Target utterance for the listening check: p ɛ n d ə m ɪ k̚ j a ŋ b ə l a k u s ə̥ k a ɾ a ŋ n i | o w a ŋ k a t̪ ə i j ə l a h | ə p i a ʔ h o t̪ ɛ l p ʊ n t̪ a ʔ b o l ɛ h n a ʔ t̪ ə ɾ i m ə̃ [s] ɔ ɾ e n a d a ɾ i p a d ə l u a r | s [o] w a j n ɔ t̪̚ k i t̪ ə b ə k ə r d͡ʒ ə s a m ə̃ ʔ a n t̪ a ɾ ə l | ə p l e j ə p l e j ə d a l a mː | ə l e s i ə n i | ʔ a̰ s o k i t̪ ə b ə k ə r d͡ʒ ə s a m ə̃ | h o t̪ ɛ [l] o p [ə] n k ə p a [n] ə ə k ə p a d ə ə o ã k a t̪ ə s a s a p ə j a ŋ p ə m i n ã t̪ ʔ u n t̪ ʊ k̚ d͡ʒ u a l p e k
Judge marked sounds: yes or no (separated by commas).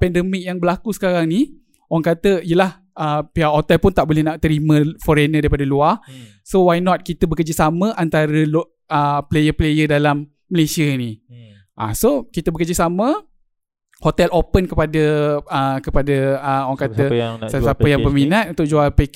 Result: no, yes, yes, yes, no